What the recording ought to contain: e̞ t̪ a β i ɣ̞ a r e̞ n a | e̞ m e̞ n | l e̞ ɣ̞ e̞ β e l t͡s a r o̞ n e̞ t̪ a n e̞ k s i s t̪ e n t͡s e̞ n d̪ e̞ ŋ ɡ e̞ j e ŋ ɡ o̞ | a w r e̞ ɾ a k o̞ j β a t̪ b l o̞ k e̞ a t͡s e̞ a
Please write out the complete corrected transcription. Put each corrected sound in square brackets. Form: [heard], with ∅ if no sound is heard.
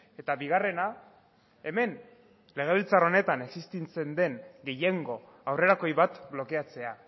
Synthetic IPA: e̞ t̪ a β i ɣ̞ a r e̞ n a | e̞ m e̞ n | l e̞ ɣ̞ e̞ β [i] l t͡s a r o̞ n e̞ t̪ a n e̞ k s i s t̪ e n t͡s e̞ n d̪ e̞ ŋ ɡ e̞ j e ŋ ɡ o̞ | a w r e̞ ɾ a k o̞ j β a t̪ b l o̞ k e̞ a t͡s e̞ a